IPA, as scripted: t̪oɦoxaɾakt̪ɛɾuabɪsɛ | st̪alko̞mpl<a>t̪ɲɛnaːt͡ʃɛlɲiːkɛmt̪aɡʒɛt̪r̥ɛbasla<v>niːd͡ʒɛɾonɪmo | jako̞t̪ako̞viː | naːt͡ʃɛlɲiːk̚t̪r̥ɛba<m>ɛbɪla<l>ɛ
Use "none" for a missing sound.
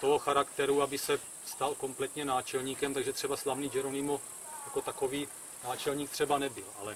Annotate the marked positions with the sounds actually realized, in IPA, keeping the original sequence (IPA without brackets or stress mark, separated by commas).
ɛ, v, n, l